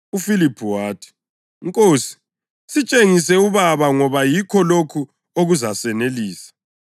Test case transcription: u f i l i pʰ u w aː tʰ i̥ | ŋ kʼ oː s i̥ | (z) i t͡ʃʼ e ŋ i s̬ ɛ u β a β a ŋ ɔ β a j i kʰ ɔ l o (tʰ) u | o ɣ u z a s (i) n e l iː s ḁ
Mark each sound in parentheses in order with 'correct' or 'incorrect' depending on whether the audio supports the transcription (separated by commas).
incorrect, incorrect, incorrect